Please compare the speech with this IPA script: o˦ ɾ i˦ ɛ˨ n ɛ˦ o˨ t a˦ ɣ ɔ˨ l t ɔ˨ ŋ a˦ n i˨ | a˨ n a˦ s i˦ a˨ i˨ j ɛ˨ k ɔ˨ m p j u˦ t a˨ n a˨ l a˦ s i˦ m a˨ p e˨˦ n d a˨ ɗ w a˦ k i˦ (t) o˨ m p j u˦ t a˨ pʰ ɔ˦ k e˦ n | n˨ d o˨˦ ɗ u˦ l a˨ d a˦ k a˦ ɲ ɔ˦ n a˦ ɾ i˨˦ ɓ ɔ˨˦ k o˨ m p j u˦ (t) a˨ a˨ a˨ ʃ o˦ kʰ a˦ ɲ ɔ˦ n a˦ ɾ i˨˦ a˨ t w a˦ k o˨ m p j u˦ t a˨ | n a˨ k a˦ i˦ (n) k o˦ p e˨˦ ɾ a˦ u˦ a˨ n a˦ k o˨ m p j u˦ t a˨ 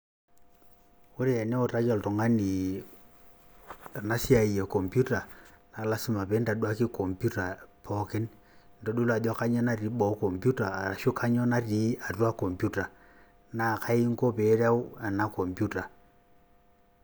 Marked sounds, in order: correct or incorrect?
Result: incorrect: k, correct, incorrect: ŋ

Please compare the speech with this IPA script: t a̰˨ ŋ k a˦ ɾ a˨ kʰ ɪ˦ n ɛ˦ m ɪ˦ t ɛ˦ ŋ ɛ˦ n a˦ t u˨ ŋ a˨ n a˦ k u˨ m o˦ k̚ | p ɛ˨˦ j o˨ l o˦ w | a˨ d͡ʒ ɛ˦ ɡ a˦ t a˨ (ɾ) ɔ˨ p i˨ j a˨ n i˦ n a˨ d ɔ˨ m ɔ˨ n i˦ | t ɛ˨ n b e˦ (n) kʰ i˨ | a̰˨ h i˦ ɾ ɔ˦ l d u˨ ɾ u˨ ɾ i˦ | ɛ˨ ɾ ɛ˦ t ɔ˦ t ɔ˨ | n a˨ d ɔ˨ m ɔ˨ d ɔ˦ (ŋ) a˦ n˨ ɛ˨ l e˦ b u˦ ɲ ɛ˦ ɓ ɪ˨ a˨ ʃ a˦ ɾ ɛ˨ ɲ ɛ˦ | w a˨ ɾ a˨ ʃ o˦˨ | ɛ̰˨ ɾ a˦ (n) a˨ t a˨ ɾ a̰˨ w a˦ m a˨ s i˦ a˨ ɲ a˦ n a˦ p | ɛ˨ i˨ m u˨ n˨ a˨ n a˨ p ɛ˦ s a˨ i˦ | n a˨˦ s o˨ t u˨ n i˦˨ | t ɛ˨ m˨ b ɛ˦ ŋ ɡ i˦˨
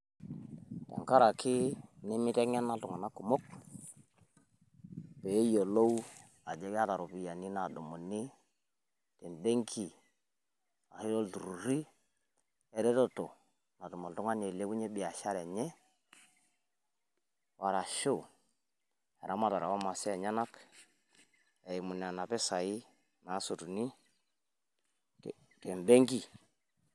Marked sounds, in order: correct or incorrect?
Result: correct, incorrect: ŋ, correct, incorrect: m

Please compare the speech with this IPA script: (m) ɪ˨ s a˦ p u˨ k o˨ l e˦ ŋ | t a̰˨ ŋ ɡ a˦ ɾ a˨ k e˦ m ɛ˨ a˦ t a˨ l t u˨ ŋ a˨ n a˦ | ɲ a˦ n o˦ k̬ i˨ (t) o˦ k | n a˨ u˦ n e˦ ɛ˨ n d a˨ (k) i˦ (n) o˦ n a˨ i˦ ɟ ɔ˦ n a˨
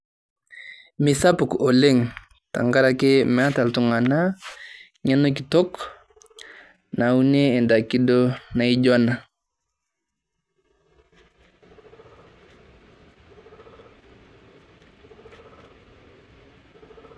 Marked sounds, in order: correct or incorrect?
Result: correct, correct, correct, incorrect: d

